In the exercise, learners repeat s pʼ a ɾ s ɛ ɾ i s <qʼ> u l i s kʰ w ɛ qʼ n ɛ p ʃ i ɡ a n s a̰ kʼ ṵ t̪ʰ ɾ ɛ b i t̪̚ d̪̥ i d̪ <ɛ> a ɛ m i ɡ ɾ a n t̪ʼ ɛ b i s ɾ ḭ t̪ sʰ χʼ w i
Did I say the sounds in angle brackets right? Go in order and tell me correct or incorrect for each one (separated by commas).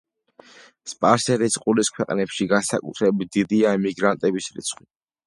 correct, incorrect